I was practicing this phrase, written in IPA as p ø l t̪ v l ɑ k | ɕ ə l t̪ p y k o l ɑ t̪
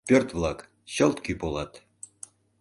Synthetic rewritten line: p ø r t̪ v l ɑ k | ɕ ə l t̪ k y p o l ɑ t̪